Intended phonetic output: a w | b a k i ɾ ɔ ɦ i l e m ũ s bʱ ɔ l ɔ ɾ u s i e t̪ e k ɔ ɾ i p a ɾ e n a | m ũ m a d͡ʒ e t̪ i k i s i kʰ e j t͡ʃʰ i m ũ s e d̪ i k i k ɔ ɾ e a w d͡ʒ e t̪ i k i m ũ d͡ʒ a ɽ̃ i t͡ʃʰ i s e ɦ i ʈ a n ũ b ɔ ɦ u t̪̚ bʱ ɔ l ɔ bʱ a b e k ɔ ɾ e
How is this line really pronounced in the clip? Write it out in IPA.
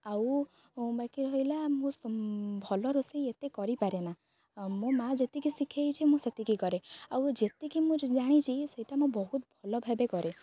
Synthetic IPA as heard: a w | b a k i ɾ ɔ ɦ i l a m ũ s bʱ ɔ l ɔ ɾ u s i e t̪ e k ɔ ɾ i p a ɾ e n a | m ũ m a d͡ʒ e t̪ i k i s i kʰ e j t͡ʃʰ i m ũ s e t̪ i k i k ɔ ɾ e a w d͡ʒ e t̪ i k i m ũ d͡ʒ a ɽ̃ i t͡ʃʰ i s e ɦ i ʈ a m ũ b ɔ ɦ u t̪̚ bʱ ɔ l ɔ bʱ a b e k ɔ ɾ e